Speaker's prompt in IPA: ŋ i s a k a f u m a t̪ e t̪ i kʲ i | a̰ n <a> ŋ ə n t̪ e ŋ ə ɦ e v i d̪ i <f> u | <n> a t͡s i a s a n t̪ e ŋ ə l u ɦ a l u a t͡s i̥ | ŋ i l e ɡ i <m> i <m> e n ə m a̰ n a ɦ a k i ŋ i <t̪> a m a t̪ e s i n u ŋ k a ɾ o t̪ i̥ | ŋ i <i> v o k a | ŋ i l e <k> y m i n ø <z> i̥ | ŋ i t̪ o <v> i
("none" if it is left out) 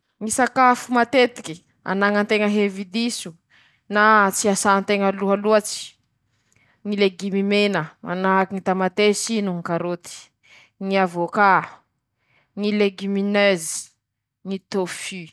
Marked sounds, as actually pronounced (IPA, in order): a, s, n, m, m, t̪, a, ɡ, z, f

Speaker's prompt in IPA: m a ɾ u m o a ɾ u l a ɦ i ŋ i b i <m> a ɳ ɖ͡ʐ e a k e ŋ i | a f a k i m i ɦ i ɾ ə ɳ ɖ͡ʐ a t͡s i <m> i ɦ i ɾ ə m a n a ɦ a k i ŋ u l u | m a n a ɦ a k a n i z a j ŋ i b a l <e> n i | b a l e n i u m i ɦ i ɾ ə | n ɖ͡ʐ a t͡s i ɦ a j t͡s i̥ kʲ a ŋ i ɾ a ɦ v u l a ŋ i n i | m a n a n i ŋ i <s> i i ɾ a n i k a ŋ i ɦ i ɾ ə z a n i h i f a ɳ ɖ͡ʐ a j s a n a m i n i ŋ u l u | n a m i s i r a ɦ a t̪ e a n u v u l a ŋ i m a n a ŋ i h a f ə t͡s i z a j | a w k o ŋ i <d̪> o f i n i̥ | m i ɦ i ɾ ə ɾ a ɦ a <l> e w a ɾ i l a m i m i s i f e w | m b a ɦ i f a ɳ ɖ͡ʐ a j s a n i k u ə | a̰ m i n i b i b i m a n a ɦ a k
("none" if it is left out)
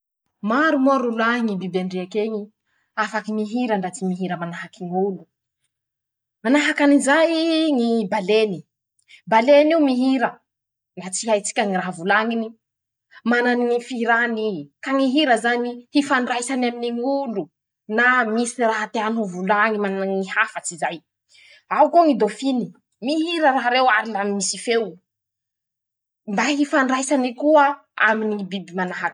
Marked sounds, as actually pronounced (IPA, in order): b, m, e, f, d̪, ɾ

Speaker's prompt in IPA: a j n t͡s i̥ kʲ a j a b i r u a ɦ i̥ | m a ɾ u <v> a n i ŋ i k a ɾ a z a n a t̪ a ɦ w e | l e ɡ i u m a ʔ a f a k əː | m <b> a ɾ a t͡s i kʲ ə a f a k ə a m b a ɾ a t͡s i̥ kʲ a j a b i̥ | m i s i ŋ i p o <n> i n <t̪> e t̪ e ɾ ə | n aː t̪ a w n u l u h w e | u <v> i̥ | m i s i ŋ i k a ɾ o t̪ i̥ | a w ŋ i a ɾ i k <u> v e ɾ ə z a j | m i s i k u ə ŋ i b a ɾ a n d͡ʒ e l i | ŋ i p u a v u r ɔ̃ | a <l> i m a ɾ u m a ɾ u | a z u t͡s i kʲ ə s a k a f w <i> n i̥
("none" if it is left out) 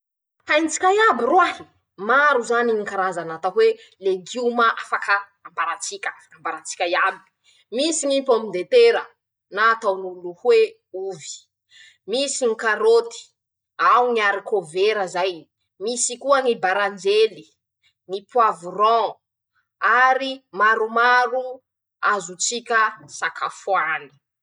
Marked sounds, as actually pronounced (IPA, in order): z, b, m, d̪, v, o, ɾ, a

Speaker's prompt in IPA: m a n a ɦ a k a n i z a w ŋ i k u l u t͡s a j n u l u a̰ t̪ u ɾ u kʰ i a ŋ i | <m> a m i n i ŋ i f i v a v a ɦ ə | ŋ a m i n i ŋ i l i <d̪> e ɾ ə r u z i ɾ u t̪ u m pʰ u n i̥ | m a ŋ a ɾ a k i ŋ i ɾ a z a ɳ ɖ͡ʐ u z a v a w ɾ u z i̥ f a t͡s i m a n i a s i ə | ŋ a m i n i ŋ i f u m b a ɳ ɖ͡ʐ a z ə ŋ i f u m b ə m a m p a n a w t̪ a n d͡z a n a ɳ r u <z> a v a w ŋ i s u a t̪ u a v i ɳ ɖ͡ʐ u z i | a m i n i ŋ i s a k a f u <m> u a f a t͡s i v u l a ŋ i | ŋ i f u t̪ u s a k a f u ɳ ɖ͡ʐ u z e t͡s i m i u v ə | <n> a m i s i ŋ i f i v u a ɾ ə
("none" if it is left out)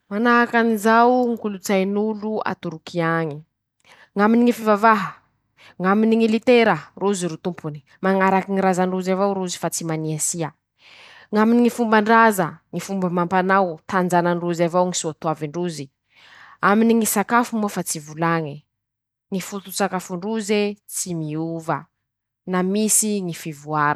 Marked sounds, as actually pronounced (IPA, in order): ŋ, t̪, z, m, n

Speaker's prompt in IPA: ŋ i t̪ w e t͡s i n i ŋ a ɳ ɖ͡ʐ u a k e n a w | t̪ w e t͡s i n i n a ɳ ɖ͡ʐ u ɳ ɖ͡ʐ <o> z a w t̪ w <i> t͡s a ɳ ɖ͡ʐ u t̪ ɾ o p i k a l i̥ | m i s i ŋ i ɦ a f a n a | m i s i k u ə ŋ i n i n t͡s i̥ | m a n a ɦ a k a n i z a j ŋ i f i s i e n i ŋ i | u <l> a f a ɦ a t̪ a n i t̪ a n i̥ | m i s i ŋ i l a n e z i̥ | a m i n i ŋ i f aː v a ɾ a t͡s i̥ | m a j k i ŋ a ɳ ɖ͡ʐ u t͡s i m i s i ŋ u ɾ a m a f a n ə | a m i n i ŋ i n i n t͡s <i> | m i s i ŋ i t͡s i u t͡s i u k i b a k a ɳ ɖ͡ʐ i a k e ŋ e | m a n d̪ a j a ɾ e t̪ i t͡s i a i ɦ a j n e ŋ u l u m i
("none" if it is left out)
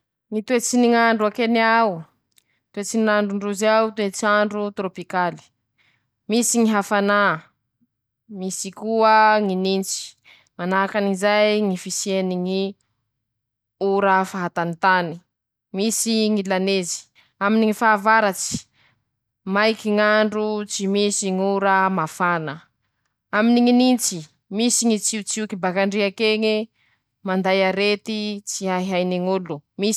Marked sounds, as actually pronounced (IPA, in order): u, e, ɾ, i

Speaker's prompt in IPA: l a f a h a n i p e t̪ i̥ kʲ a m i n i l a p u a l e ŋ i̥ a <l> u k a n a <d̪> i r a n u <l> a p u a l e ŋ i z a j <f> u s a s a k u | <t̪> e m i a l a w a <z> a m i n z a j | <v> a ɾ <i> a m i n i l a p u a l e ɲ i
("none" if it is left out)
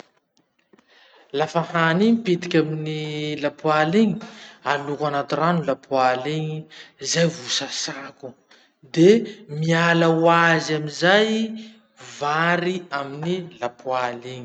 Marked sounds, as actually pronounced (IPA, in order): l, t̪, l, v, d̪, z, v, i

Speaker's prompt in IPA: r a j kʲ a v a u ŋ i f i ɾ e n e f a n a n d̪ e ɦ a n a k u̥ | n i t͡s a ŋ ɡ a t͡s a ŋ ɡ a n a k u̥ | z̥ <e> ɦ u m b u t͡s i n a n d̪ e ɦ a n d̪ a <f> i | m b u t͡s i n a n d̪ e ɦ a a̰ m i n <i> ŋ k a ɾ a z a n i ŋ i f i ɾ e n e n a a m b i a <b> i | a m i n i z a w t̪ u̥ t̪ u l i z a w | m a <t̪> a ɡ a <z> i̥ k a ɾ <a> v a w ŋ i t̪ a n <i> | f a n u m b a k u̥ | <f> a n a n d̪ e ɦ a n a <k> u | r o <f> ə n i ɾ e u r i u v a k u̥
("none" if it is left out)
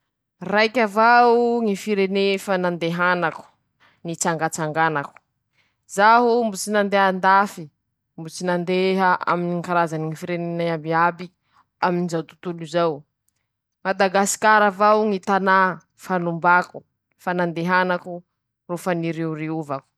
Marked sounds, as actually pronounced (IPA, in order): a, f, i, b, d̪, s, a, a, f, k, f

